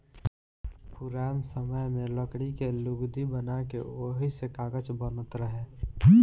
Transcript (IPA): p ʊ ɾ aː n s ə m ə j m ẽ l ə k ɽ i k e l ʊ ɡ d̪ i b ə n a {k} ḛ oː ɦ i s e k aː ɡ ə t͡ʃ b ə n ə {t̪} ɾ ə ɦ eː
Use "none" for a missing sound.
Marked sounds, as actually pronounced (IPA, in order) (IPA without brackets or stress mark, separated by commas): k, t̪